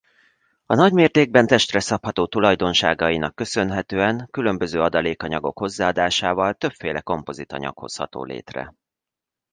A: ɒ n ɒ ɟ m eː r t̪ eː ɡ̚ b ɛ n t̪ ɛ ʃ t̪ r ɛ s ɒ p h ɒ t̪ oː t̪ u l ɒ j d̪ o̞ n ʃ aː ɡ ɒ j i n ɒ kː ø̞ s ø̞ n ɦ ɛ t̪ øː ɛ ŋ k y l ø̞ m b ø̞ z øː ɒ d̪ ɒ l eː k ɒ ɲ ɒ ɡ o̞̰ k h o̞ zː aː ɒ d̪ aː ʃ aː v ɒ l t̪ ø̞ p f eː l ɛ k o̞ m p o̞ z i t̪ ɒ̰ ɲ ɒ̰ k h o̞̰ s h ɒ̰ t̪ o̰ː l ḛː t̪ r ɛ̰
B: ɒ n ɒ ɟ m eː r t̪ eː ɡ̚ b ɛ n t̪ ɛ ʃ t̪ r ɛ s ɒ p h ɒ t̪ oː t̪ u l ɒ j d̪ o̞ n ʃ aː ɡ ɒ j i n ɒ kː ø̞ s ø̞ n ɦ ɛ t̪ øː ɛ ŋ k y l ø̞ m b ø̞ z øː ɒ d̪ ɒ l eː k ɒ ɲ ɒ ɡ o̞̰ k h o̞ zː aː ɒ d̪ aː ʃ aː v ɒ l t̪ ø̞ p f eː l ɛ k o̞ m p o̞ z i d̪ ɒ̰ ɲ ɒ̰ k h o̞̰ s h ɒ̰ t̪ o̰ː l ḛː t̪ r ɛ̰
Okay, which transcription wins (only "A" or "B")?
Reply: A